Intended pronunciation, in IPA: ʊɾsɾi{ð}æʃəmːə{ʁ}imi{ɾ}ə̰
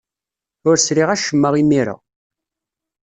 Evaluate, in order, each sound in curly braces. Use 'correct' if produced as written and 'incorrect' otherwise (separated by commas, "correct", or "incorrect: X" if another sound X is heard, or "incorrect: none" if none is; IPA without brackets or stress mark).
incorrect: ʁ, correct, correct